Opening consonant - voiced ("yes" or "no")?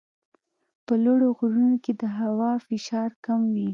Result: no